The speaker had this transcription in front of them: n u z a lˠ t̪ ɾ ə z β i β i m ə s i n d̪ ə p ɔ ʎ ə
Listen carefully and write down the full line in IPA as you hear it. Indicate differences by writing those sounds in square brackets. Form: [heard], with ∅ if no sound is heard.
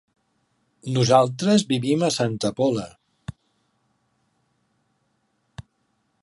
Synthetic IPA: n u z a lˠ t̪ ɾ ə z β i β i m ə s [a] n [t̪] ə p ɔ [l] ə